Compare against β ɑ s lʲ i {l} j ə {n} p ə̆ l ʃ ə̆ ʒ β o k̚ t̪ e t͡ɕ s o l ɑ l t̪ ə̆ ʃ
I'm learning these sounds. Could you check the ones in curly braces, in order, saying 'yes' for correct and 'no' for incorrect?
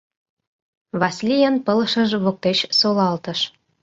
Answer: no, yes

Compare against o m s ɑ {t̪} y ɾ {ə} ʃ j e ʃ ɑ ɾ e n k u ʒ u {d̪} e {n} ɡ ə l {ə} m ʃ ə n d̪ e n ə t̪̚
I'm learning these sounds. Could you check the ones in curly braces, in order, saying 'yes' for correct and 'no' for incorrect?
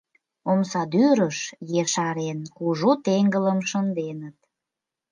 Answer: no, yes, no, no, yes

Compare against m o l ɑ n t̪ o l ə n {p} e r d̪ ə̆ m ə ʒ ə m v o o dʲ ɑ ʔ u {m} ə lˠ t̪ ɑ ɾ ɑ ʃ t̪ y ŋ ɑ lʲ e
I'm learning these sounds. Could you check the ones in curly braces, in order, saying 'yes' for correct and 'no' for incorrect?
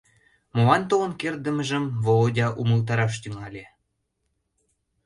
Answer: no, yes

